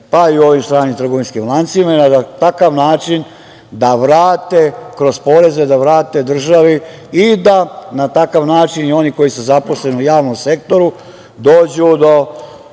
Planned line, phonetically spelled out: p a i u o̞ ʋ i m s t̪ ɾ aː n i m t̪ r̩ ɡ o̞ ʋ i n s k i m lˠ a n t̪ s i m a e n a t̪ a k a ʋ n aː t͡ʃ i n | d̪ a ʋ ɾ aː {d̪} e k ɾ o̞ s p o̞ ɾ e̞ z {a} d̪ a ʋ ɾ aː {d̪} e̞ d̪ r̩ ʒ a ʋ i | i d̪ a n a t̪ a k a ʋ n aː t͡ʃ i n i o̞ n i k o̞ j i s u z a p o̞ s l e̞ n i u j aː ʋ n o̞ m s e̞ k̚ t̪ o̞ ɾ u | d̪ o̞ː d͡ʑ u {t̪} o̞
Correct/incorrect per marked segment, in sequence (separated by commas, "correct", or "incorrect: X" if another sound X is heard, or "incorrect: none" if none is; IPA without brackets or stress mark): incorrect: t̪, incorrect: e, incorrect: t̪, incorrect: d̪